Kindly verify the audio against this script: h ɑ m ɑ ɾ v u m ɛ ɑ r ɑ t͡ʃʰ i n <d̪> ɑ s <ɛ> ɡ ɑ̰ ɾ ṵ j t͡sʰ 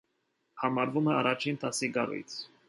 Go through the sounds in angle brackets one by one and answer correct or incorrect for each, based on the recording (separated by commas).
incorrect, incorrect